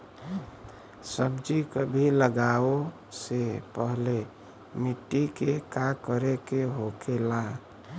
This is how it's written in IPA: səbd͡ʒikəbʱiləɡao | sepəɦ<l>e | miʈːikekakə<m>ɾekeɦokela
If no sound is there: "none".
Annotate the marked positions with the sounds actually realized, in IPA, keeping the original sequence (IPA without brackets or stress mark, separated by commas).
l, none